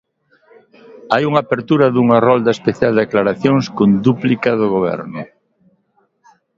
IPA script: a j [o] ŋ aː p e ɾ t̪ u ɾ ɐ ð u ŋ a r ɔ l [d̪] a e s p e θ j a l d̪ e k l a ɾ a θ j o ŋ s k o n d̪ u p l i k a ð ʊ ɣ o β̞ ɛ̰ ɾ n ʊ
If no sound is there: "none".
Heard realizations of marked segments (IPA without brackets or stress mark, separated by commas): u, d̪